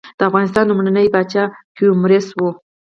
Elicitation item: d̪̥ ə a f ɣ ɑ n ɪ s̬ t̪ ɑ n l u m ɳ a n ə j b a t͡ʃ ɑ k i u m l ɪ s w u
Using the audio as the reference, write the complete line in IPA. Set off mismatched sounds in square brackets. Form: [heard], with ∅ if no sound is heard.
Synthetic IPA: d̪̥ ə a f ɣ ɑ n ɪ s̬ t̪ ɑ n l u m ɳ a n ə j b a t͡ʃ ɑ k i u m [ɾ] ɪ s w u